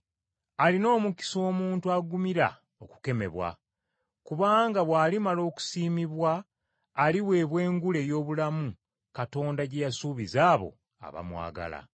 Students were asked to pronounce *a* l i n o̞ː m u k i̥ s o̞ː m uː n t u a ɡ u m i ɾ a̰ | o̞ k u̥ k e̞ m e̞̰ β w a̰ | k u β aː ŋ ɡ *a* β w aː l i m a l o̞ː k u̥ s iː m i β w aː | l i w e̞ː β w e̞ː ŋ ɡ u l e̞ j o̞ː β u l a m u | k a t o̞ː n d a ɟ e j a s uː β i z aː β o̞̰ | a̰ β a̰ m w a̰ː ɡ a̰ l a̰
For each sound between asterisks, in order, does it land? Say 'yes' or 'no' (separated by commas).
yes, yes